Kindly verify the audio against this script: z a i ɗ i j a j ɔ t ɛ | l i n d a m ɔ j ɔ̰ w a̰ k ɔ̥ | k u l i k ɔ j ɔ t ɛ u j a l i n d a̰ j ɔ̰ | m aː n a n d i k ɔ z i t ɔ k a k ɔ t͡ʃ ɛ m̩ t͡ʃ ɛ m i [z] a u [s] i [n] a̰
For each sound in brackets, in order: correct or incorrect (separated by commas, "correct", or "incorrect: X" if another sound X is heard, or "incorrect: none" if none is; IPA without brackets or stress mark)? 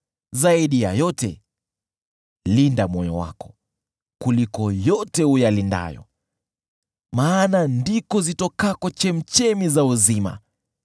correct, incorrect: z, incorrect: m